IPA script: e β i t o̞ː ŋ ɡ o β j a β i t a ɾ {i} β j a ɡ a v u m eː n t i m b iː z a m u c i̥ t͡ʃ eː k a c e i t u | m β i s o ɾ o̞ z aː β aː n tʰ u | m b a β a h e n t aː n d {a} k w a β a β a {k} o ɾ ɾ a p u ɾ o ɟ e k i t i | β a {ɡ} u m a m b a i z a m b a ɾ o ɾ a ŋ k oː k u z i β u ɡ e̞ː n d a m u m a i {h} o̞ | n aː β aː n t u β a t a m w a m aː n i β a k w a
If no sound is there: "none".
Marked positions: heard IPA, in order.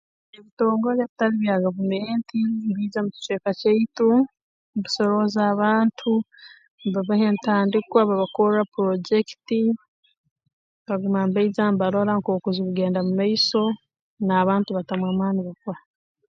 i, i, k, ɡ, s

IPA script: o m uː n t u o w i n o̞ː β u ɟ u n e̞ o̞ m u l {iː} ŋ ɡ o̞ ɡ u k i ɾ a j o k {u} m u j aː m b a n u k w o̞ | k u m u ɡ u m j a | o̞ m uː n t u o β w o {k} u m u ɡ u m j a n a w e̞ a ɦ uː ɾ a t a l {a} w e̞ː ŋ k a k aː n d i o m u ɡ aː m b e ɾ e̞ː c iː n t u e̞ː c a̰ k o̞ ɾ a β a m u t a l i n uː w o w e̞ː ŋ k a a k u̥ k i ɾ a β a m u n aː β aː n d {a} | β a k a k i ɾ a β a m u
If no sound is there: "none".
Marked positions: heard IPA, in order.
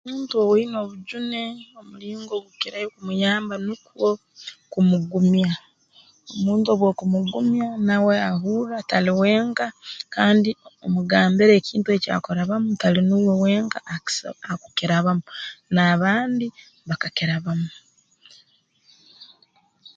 iː, u, k, i, i

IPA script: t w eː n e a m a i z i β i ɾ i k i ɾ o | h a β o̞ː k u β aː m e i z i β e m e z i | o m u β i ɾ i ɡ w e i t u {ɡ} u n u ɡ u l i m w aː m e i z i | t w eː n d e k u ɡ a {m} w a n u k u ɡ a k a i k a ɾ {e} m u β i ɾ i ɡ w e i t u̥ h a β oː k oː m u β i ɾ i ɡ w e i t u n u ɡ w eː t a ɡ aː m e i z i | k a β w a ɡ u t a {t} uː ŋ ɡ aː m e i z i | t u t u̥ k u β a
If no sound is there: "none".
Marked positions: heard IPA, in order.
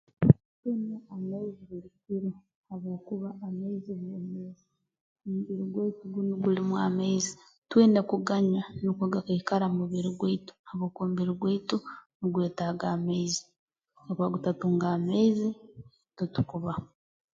ɡ, ɲ, a, t

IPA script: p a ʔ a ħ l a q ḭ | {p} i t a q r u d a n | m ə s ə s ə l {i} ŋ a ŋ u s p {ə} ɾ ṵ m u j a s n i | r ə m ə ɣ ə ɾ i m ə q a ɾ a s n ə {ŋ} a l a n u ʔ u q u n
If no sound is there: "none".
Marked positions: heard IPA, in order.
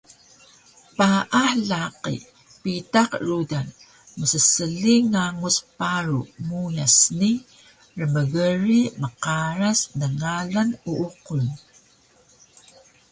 p, i, a, ŋ

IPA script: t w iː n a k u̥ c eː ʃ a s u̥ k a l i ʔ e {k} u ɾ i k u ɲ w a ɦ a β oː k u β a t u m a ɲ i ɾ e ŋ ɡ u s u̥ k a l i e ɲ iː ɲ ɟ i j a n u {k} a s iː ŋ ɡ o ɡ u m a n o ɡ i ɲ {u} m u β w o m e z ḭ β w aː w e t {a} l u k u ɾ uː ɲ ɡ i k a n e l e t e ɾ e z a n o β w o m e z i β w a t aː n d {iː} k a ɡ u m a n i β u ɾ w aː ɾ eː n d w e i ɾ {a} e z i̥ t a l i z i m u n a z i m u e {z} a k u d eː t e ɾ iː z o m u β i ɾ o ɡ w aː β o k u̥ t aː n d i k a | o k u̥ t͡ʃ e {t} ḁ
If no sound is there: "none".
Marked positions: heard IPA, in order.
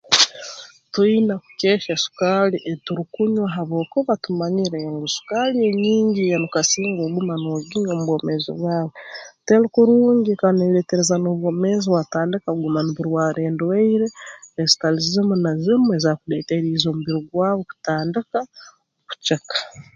t, k, o, e, i, e, z, k

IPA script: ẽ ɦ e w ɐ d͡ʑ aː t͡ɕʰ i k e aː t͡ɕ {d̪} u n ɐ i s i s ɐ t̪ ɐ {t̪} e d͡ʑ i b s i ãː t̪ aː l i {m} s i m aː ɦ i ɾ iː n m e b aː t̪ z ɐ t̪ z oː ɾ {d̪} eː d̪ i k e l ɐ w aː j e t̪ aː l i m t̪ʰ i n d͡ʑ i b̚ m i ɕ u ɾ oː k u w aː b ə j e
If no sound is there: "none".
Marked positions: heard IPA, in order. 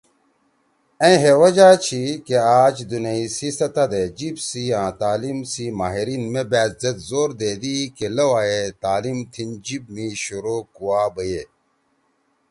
d̪, d̪, m, d̪

